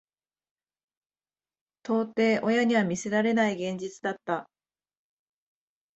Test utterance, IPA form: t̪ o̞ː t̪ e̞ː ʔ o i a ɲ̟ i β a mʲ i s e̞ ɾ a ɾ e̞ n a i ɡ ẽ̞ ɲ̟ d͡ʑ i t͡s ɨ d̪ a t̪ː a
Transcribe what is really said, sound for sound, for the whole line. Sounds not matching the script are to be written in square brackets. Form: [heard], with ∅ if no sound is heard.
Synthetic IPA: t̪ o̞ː t̪ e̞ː ʔ o [j] a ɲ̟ i β a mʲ i s e̞ ɾ a ɾ e̞ n a i ɡ ẽ̞ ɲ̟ d͡ʑ i t͡s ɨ d̪ a t̪ː a

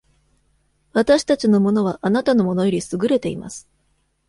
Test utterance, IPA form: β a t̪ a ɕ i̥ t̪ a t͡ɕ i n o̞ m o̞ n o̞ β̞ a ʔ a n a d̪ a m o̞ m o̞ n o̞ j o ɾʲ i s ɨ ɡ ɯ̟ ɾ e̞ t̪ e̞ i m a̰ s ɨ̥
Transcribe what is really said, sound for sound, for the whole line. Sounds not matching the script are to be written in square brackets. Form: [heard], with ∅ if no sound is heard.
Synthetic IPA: β a t̪ a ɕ i̥ t̪ a t͡ɕ i n o̞ m o̞ n o̞ β̞ a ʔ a n a [t̪] a [n] o̞ m o̞ n o̞ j o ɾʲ i s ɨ ɡ ɯ̟ ɾ e̞ t̪ e̞ i m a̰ s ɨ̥

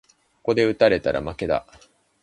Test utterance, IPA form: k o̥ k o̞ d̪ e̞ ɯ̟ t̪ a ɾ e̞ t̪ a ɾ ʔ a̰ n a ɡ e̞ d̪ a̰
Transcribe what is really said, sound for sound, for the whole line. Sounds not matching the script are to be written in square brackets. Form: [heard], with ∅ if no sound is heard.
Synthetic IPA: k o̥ k o̞ d̪ e̞ ɯ̟ t̪ a ɾ e̞ t̪ a ɾ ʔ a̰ [m] a [k] e̞ d̪ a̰

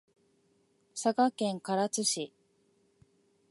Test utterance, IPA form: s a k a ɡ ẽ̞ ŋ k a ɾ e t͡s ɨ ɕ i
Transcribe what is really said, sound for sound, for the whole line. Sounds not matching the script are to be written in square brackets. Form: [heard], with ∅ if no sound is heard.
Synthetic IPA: s a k a [k] ẽ̞ ŋ k a ɾ [a] t͡s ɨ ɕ i

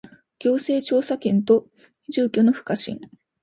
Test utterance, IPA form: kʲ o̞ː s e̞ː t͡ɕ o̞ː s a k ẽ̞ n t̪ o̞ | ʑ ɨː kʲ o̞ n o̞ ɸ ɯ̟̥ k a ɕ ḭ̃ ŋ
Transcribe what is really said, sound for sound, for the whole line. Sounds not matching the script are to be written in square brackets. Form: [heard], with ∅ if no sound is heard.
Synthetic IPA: kʲ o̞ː s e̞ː t͡ɕ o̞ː s a k ẽ̞ n t̪ o̞ | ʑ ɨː kʲ o̞ n o̞ ɸ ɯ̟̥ k a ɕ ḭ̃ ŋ

